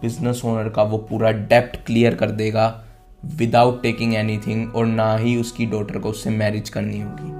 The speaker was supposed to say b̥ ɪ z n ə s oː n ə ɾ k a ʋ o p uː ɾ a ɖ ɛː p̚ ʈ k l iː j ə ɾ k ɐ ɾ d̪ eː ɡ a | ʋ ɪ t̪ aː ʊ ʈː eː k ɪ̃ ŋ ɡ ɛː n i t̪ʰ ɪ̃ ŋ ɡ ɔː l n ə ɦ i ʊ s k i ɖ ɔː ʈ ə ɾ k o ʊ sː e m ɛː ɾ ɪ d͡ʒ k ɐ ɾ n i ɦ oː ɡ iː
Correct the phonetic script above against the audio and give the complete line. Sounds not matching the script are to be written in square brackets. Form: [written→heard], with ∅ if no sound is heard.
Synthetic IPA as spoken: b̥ ɪ z n ə s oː n ə ɾ k a ʋ o p uː ɾ a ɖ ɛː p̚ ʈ k l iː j ə ɾ k ɐ ɾ d̪ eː ɡ a | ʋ ɪ [t̪→d̪] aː ʊ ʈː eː k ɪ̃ ŋ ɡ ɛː n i t̪ʰ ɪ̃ ŋ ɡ ɔː [l→ɾ] n [ə→a] ɦ i ʊ s k i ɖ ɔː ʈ ə ɾ k o ʊ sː e m ɛː ɾ ɪ d͡ʒ k ɐ ɾ n i ɦ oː ɡ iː